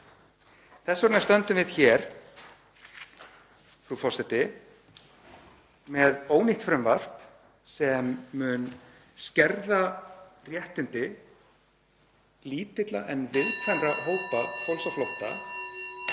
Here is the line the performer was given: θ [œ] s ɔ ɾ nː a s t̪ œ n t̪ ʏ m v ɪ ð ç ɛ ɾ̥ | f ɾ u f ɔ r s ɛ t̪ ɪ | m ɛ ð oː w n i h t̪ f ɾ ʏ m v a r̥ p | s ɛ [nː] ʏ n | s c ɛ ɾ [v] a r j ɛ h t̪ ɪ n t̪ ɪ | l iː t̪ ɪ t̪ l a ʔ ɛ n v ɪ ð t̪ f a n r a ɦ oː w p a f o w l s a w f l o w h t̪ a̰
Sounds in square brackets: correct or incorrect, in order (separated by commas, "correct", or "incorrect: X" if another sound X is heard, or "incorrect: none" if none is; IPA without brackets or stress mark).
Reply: incorrect: ɛ, incorrect: mː, incorrect: ð